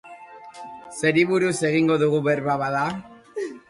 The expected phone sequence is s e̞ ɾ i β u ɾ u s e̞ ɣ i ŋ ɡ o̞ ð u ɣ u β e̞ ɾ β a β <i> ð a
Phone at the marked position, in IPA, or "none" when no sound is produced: a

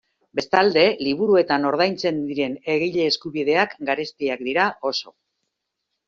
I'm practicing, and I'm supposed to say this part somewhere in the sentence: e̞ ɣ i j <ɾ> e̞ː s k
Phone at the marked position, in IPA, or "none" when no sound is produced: ʎ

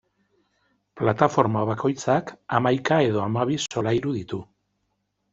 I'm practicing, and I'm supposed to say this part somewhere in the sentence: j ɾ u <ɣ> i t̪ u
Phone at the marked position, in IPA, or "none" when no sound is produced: ð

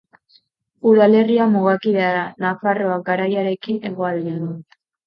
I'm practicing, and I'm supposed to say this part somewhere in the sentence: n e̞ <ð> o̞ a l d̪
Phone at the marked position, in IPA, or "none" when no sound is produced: ɣ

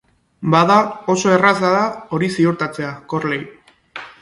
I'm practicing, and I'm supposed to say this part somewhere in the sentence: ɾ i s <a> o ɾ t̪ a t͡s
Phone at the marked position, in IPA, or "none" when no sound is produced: i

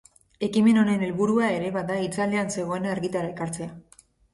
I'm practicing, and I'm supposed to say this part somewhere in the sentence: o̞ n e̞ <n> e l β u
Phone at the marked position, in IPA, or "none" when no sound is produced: n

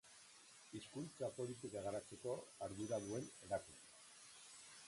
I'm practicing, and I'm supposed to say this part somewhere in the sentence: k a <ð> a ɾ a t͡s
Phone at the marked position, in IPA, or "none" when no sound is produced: ɣ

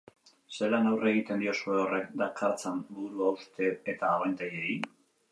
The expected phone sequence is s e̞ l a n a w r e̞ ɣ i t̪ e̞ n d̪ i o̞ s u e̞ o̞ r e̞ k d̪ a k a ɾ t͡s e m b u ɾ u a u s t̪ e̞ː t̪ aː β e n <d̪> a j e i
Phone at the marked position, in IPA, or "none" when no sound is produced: t̪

